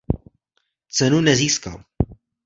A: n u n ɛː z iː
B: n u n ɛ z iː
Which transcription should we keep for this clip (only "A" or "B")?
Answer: B